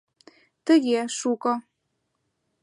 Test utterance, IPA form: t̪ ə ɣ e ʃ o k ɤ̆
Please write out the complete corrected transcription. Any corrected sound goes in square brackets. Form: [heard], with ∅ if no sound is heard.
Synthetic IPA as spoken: t̪ ə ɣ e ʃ [u] k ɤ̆